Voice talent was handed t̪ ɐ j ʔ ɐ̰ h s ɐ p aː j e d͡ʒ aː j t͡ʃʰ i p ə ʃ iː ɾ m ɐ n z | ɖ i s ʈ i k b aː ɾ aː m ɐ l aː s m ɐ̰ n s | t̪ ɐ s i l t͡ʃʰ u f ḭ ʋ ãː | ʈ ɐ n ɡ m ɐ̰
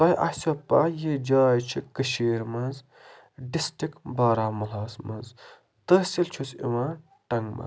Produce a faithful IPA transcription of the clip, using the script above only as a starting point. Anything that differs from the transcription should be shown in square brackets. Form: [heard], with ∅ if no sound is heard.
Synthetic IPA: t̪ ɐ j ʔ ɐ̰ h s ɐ p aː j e d͡ʒ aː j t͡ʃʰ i [k] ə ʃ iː ɾ m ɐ n z | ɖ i s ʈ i k b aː ɾ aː m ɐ l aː s m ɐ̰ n [z] | t̪ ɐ s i l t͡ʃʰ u [s] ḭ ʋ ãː | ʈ ɐ [ŋ] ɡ m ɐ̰